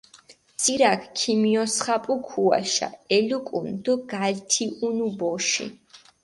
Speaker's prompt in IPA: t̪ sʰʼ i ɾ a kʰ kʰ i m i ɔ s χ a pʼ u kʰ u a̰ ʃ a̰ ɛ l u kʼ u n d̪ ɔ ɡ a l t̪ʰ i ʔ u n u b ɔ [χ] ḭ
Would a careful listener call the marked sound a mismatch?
yes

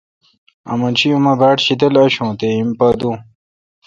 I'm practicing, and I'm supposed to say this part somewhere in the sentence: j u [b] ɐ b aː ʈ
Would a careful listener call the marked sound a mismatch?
yes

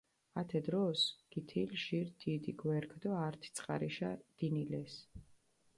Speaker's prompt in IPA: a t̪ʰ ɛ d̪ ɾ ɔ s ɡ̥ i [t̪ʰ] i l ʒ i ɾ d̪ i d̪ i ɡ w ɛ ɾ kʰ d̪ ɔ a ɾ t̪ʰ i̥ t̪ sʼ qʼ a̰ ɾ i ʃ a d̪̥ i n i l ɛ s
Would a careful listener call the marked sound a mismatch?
no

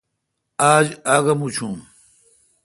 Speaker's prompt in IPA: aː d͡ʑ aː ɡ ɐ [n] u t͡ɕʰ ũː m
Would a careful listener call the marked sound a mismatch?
yes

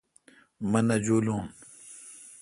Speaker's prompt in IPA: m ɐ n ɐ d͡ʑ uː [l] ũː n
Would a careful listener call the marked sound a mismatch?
no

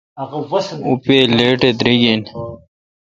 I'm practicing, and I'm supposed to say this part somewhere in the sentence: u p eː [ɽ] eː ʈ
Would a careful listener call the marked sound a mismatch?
yes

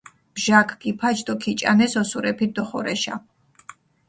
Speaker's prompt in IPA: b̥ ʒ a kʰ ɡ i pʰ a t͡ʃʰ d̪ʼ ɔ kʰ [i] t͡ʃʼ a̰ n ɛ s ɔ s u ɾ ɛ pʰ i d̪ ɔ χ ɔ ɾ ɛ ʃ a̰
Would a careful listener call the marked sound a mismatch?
no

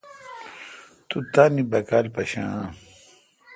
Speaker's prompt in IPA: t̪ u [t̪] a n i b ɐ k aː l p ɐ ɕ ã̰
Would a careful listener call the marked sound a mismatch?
no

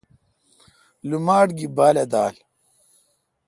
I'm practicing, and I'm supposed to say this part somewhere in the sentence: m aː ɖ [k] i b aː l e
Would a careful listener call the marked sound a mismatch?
yes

